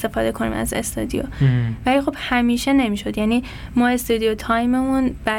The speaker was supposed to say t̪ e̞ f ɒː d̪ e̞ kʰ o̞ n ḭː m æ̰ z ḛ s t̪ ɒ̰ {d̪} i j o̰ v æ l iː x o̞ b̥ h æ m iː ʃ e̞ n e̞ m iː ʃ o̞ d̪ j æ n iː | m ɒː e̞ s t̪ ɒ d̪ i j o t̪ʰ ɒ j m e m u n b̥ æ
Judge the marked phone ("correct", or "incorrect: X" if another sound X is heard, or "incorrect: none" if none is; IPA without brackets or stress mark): correct